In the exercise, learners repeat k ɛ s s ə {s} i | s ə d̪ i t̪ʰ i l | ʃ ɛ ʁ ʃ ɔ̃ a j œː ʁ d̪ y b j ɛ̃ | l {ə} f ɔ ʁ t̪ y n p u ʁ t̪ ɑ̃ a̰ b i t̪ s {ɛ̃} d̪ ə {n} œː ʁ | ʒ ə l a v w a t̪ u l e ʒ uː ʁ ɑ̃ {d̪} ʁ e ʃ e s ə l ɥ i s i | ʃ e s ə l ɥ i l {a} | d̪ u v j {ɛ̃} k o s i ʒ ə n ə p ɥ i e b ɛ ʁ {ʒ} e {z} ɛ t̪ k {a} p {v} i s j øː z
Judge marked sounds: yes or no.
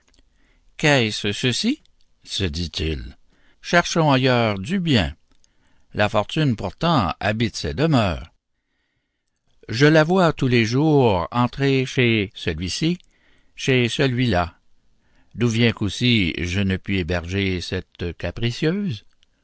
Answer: yes, no, no, no, no, yes, yes, yes, no, yes, no

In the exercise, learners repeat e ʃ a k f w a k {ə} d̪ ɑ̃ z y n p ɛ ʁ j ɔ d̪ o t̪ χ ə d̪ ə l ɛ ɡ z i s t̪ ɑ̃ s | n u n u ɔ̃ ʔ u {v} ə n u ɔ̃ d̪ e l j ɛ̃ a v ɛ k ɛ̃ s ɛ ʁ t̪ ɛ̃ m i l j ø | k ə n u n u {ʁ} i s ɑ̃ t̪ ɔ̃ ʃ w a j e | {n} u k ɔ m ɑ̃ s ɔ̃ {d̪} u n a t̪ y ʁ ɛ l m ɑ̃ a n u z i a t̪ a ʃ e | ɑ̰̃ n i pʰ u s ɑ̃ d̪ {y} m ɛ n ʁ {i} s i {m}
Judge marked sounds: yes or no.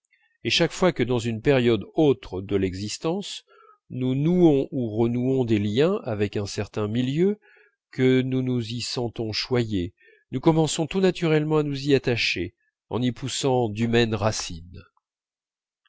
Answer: yes, no, no, yes, no, yes, no, no

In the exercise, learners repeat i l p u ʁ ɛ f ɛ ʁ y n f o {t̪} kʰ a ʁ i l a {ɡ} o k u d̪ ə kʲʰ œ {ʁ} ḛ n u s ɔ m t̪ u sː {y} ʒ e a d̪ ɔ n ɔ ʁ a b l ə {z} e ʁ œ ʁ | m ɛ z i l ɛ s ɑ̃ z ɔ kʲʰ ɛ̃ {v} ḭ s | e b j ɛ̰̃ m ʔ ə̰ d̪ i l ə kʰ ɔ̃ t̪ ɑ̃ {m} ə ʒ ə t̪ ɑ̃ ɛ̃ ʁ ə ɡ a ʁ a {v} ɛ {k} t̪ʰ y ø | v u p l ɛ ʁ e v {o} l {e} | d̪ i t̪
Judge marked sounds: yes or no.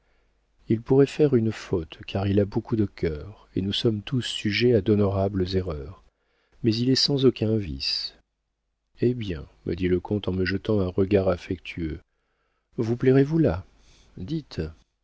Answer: yes, no, yes, yes, yes, yes, yes, no, yes, no, no

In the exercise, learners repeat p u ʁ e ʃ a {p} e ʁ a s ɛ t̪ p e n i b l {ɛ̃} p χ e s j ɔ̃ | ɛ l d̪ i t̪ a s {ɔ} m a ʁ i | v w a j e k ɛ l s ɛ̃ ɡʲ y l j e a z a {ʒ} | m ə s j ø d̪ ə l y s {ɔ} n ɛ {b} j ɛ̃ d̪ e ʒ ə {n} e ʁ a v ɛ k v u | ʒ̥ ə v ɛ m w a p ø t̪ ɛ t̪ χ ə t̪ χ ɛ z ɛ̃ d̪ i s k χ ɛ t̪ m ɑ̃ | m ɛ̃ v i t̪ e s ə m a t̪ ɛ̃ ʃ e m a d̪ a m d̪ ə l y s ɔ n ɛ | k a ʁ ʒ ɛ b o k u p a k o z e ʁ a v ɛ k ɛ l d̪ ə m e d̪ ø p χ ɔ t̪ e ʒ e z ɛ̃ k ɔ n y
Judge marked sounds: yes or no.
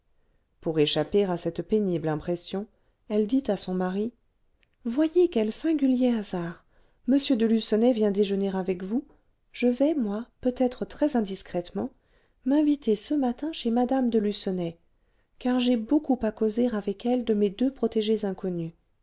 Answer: yes, yes, no, no, yes, no, yes

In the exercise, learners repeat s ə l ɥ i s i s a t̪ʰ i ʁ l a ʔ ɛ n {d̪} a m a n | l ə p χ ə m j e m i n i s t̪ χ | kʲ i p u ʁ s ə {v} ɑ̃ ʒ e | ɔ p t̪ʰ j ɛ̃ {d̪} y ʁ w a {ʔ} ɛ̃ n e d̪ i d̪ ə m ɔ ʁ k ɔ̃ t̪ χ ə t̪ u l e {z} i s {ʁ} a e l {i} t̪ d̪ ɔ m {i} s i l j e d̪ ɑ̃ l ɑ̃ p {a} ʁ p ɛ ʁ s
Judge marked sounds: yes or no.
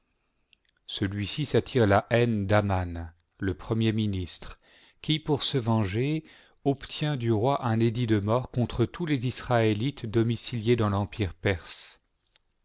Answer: yes, yes, yes, yes, yes, no, yes, yes, no

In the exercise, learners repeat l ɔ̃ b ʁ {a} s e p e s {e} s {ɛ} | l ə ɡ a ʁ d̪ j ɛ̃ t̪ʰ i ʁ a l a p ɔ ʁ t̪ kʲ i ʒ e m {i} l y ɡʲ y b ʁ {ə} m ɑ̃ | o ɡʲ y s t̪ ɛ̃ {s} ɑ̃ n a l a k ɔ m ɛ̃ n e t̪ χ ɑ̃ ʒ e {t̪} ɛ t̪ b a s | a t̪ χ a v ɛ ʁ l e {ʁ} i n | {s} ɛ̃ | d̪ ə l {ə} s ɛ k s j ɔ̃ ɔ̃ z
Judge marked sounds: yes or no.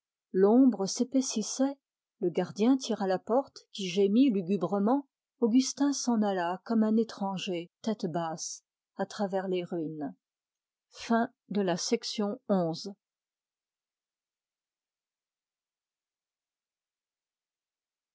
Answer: no, no, yes, yes, yes, yes, yes, yes, no, no

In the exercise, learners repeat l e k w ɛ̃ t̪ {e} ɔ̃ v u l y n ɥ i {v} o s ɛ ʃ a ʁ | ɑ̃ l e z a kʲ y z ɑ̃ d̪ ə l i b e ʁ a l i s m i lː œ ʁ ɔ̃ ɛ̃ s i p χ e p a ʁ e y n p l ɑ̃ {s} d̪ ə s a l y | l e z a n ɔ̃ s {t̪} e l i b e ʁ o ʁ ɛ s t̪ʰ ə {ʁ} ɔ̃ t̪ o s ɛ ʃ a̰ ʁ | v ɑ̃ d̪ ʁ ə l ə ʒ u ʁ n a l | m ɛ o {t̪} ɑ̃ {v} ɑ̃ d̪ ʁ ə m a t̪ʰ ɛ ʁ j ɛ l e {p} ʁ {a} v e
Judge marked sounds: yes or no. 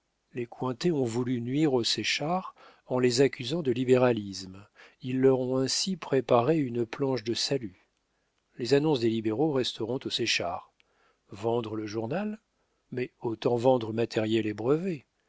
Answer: yes, no, no, no, yes, yes, yes, no, no

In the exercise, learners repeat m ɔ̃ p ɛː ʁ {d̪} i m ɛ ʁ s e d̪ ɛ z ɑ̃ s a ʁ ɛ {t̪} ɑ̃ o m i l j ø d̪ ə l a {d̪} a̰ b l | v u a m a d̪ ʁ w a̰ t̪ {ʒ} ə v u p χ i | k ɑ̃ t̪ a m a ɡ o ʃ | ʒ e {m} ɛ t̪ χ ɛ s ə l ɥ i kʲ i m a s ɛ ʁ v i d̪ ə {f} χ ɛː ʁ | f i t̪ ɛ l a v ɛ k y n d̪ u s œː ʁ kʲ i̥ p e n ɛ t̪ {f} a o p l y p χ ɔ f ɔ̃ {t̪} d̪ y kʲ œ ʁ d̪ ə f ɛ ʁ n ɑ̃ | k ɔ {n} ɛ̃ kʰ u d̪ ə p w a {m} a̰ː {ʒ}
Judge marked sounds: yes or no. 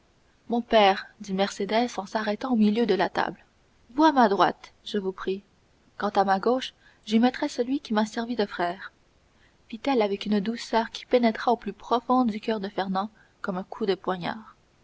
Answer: yes, yes, no, yes, yes, yes, no, no, no, no, no

